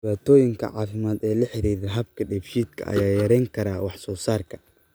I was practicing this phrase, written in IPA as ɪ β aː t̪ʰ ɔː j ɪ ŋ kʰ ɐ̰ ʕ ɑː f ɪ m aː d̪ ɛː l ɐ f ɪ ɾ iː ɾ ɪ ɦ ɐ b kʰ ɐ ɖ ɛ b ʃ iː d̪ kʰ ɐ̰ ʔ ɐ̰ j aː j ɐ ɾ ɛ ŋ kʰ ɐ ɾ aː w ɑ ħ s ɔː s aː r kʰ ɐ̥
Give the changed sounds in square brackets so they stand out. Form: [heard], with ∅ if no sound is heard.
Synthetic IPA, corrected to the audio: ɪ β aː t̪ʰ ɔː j ɪ ŋ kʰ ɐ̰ ʕ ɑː f ɪ m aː d̪ ɛː l ɐ [ħ] ɪ ɾ iː ɾ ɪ ɦ ɐ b kʰ ɐ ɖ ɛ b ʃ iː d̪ kʰ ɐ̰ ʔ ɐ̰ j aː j ɐ ɾ ɛ ŋ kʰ ɐ ɾ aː w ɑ ħ s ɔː s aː r kʰ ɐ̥